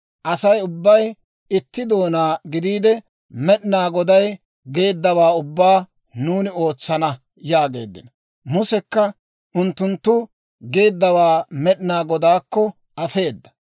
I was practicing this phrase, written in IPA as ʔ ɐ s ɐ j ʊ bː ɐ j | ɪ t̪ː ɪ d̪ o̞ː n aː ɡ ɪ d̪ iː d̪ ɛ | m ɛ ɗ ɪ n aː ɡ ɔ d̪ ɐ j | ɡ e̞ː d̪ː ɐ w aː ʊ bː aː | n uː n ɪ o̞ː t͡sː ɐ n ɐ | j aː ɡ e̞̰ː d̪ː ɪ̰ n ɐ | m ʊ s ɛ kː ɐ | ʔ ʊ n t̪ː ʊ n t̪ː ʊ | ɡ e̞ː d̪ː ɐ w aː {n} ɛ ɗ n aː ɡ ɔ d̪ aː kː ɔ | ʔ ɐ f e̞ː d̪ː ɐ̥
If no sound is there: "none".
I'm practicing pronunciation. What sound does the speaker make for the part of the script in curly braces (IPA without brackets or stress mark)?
m